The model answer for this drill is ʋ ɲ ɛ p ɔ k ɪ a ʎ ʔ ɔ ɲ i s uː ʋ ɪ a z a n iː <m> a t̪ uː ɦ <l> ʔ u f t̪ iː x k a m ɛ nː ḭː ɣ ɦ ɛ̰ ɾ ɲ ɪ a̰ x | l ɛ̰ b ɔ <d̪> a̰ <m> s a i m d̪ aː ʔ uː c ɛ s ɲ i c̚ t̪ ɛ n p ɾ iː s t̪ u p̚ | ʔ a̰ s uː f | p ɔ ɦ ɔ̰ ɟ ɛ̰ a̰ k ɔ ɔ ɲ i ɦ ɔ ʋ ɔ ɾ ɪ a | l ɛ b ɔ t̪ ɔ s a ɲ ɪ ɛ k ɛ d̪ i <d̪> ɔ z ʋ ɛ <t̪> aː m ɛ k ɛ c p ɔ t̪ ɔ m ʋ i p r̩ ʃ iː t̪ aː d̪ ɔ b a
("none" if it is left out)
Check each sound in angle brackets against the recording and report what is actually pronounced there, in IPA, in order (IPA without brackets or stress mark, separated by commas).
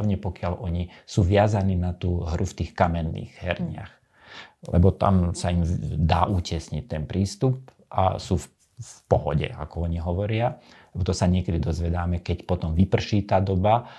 n, ɾ, t̪, m, d̪, d̪